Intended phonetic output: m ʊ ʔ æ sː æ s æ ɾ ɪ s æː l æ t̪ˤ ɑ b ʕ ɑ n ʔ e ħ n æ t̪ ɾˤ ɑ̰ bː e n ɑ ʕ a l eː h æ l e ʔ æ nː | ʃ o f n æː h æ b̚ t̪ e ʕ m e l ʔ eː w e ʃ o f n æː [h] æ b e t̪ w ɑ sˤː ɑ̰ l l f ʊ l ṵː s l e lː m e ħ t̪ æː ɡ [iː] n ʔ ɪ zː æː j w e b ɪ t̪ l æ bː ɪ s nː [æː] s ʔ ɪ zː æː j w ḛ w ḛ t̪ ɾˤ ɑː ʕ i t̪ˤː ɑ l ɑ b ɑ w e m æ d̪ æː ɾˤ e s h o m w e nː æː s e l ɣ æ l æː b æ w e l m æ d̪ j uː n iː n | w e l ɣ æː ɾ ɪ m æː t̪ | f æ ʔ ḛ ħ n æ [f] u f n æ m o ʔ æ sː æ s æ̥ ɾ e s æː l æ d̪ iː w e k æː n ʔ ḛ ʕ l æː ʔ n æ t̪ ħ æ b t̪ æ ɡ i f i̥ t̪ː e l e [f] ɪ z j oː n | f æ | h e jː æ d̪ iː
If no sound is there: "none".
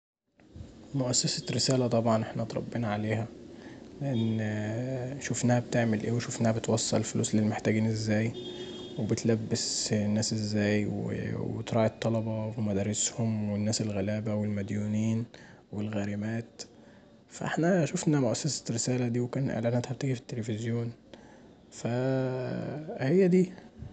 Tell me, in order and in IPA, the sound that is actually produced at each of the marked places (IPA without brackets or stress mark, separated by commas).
h, iː, æː, ʃ, f